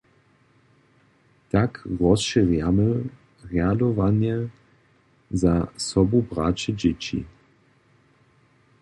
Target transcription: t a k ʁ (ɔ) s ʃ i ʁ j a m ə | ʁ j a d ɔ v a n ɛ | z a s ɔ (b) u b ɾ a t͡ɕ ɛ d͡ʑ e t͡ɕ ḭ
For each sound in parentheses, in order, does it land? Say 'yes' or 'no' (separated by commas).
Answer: yes, yes